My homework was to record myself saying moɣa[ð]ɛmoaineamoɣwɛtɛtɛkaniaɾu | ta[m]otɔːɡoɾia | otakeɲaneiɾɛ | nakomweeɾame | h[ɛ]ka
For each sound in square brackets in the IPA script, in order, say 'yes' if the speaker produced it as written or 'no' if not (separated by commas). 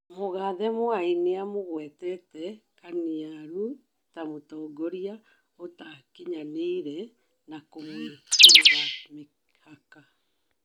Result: yes, yes, no